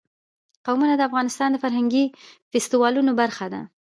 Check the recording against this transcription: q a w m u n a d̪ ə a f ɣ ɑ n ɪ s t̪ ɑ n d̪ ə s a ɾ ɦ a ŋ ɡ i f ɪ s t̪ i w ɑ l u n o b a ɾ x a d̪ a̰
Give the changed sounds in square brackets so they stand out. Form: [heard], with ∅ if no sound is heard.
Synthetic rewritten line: q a w m u n a d̪ ə a f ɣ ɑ n ɪ s t̪ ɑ n d̪ ə [f] a ɾ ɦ a ŋ ɡ i f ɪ s t̪ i w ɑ l u n o b a ɾ x a d̪ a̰